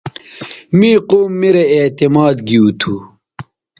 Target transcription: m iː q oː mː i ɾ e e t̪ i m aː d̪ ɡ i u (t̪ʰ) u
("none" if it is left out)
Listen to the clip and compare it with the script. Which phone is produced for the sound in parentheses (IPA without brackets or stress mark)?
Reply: t̪ʰ